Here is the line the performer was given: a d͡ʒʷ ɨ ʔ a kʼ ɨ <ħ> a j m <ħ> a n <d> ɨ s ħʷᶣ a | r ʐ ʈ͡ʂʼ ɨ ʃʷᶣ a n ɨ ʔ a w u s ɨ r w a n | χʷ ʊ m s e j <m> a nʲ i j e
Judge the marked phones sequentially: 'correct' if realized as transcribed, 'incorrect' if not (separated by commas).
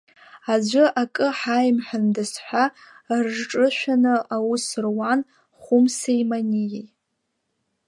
correct, correct, correct, correct